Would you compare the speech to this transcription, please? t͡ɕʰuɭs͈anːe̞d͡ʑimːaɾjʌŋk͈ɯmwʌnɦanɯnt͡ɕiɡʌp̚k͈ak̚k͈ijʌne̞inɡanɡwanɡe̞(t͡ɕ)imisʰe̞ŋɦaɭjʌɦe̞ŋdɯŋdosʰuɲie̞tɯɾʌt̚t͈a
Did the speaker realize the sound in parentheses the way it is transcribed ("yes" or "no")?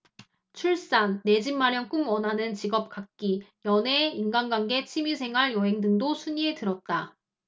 no